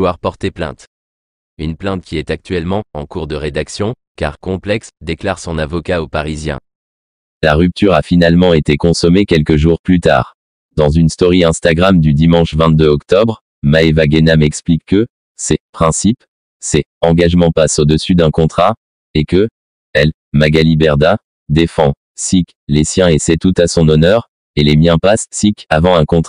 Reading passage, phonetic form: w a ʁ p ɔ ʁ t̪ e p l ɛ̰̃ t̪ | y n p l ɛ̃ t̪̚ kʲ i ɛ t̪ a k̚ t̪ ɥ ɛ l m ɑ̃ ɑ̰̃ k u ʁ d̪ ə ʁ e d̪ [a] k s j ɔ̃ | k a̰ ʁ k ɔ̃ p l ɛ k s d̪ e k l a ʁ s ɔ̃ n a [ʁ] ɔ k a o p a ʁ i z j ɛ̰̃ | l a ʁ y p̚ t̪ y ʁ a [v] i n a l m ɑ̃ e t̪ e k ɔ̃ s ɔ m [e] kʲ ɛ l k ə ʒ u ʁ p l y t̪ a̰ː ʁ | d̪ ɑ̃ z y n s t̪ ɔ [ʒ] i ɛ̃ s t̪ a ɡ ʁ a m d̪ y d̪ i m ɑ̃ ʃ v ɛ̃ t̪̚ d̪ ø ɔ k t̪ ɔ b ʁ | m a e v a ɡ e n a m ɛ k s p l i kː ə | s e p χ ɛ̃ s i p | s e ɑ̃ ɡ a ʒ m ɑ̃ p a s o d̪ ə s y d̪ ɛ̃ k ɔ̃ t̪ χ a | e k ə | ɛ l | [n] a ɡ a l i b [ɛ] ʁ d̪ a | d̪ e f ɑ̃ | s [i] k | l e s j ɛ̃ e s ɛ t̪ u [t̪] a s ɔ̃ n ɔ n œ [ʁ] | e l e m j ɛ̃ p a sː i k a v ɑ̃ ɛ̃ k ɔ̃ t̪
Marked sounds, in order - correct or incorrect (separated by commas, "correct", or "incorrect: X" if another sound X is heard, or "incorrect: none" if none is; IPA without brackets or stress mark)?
correct, incorrect: v, incorrect: f, correct, incorrect: ʁ, incorrect: m, correct, correct, correct, correct